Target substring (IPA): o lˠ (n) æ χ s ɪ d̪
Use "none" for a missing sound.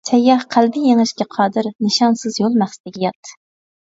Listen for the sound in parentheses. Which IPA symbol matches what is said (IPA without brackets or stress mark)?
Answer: m